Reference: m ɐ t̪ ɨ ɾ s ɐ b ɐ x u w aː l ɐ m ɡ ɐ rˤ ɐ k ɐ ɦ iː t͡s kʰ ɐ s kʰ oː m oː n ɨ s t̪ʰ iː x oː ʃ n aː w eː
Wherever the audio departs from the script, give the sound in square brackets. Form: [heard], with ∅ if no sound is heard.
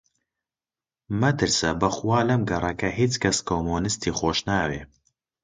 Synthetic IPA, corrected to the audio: m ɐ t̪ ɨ ɾ s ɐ b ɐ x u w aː l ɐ m ɡ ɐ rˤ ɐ k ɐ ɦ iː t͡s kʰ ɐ s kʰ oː m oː n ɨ s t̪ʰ iː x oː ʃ n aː w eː